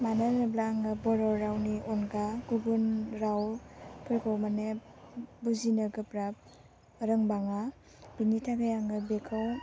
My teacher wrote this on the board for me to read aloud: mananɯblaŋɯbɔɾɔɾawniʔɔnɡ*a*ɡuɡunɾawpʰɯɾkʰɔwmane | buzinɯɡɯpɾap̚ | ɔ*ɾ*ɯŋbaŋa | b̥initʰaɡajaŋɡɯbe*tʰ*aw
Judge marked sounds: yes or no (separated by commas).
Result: yes, yes, no